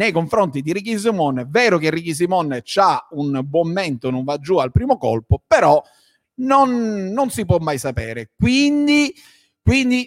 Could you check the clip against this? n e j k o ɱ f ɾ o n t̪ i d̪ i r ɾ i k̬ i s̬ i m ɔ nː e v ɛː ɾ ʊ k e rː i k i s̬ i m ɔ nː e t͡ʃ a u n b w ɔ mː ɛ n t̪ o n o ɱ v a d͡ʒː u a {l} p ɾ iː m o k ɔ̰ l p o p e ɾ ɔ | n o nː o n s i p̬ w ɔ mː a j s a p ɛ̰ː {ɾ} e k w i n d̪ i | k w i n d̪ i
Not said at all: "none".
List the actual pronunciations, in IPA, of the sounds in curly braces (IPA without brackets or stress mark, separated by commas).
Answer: l, ɾ